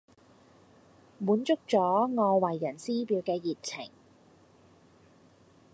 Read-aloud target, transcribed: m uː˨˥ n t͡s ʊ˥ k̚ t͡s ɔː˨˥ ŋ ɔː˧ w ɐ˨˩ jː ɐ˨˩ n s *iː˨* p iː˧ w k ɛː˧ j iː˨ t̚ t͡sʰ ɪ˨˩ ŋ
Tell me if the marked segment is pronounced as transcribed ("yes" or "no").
no